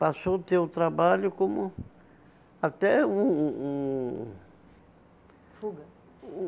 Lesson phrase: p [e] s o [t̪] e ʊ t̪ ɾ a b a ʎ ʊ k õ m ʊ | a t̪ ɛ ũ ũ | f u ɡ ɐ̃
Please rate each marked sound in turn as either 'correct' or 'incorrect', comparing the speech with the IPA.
incorrect, correct

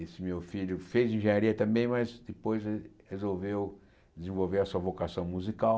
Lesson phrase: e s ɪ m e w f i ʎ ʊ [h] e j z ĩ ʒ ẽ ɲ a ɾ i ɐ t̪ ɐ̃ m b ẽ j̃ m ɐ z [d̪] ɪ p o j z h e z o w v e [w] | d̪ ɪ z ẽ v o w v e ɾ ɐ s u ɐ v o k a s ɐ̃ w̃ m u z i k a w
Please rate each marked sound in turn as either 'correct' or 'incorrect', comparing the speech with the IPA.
incorrect, correct, correct

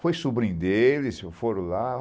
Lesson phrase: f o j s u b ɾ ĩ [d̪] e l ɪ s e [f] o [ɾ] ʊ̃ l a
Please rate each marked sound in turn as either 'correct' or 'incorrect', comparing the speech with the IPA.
correct, correct, correct

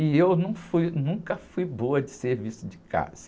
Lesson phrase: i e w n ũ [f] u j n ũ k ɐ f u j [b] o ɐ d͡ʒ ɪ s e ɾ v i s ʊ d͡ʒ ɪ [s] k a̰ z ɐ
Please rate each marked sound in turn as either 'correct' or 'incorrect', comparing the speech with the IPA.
correct, correct, incorrect

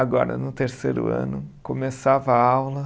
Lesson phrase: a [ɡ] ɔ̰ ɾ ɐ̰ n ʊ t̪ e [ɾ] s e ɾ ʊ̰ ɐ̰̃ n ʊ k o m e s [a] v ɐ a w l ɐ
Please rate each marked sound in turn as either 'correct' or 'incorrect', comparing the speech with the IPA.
correct, correct, correct

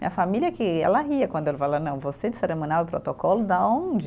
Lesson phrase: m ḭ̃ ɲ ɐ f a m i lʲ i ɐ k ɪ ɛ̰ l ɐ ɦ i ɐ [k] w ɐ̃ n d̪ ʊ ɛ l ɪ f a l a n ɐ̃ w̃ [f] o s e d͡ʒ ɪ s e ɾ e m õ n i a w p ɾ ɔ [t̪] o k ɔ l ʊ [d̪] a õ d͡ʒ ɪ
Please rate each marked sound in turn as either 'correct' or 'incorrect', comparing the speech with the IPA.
correct, incorrect, correct, correct

